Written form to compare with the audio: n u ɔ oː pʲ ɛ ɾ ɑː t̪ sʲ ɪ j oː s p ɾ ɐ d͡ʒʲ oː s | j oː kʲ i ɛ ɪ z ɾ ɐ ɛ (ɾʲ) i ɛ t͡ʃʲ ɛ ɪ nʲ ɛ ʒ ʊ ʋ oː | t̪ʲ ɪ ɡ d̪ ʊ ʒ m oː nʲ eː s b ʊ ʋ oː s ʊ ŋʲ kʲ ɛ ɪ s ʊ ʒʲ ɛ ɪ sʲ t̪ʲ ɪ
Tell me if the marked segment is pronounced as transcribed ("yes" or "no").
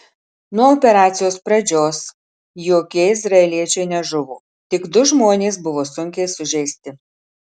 no